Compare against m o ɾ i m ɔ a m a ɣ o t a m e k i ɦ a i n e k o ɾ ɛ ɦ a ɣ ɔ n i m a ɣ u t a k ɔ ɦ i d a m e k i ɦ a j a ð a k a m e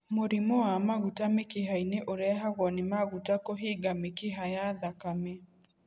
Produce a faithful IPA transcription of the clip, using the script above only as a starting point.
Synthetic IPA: m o ɾ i m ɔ a m a ɣ u t a m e k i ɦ a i n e ʔ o ɾ ɛ ɦ a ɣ ɔ n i m a ɣ u t a k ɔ ɦ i ɡ a m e k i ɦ a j a ð a k a m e